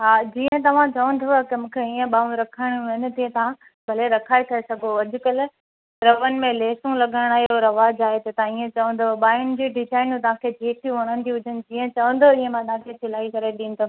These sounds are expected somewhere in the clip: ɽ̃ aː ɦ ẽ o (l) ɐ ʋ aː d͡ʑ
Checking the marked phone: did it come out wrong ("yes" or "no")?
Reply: yes